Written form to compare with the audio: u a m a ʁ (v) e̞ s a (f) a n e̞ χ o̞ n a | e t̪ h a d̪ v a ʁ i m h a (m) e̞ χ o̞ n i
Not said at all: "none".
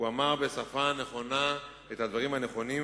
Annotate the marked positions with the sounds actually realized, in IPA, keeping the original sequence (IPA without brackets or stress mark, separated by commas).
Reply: b, f, n